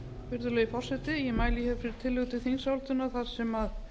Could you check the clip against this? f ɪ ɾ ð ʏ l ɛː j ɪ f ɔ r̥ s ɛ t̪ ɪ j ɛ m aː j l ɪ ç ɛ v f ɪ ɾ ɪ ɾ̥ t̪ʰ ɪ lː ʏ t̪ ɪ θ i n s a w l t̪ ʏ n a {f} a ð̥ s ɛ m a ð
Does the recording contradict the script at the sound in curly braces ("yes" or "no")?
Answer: yes